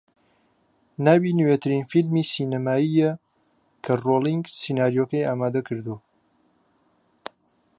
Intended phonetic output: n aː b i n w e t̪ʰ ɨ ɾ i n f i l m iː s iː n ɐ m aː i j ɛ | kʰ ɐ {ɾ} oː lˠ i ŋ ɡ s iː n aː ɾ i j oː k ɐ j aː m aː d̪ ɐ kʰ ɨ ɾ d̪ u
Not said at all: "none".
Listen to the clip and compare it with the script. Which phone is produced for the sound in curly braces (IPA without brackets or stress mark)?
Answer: r